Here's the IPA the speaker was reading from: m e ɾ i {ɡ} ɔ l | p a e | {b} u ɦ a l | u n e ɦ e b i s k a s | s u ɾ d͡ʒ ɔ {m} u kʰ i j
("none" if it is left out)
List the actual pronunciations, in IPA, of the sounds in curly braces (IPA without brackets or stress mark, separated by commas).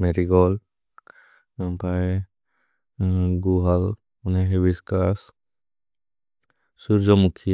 ɡ, ɡ, m